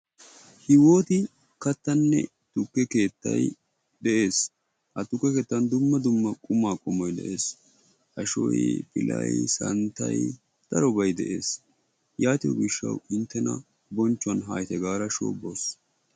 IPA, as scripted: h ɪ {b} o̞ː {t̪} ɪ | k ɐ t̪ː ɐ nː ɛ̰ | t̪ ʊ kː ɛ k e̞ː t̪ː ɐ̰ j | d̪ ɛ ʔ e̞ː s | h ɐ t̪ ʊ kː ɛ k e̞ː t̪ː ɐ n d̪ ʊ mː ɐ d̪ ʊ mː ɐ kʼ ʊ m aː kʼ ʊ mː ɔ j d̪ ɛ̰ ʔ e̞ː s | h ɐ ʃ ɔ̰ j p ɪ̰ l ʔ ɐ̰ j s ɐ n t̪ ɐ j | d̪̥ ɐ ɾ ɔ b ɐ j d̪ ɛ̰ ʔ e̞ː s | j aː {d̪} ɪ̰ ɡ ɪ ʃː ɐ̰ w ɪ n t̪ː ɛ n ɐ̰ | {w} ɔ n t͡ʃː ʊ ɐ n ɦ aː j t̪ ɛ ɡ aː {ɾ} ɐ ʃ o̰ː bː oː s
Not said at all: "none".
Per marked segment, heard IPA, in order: w, t̪, t̪, b, ɾ

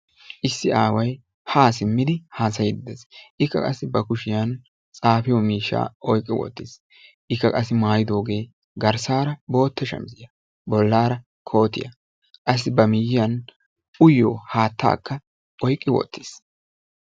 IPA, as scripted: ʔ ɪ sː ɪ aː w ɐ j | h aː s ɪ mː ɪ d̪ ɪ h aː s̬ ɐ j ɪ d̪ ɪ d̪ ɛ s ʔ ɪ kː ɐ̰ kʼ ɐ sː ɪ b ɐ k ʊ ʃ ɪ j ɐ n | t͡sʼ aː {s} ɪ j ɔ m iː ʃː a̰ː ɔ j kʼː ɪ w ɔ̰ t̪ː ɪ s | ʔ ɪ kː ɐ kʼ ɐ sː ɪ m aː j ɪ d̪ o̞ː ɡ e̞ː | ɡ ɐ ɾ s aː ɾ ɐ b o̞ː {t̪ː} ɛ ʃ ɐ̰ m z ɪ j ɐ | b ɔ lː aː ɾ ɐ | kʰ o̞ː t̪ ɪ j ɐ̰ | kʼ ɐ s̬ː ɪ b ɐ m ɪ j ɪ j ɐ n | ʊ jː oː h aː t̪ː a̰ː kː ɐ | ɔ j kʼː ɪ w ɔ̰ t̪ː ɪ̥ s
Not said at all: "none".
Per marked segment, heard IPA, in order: f, t̪ː

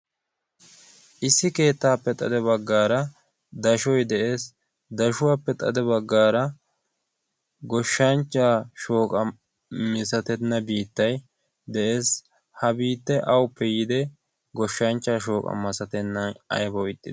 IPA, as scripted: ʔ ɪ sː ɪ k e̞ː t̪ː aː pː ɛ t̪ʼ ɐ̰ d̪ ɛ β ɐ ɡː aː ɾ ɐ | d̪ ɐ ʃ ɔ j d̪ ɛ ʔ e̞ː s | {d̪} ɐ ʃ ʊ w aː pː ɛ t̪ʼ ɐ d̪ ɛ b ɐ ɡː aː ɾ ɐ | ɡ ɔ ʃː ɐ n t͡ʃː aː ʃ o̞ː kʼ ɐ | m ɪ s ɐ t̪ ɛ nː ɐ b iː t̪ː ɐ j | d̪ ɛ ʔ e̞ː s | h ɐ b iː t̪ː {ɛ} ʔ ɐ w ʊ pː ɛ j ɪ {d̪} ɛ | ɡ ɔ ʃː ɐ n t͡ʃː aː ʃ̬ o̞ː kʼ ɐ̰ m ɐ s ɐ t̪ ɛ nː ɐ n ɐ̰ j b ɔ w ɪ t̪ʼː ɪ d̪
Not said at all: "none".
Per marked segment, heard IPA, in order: d̪, ɛ, d̪

